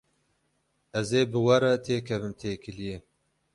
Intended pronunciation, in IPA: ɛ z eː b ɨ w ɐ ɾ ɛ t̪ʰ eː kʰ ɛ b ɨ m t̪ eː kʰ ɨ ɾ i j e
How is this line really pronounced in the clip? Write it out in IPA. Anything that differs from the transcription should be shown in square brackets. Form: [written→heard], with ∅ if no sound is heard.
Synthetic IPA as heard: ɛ z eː b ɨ w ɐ ɾ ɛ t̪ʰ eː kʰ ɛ [b→v] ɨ m [t̪→t̪ʰ] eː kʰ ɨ [ɾ→l] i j e